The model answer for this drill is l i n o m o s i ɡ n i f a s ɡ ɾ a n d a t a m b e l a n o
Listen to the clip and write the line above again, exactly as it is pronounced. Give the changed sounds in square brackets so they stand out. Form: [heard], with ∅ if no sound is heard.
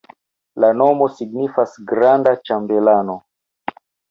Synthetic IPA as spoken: l [a] n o m o s i ɡ n i f a s ɡ ɾ a n d a [t͡ʃ] a m b e l a n o